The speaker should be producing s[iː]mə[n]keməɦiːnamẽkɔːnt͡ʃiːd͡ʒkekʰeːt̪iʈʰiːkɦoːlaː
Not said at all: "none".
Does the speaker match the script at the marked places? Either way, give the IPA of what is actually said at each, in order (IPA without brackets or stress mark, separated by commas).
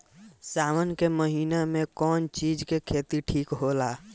aː, n